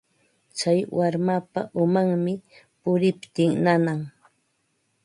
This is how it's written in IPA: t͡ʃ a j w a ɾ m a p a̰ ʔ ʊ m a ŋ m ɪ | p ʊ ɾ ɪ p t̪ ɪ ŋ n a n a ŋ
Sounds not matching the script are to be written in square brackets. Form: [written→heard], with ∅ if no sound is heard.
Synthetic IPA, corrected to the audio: t͡ʃ a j w a ɾ m a p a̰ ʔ ʊ m a ŋ m ɪ | p ʊ ɾ ɪ p t̪ ɪ ŋ n a n a ŋ